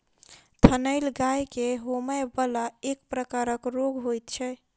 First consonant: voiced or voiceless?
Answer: voiceless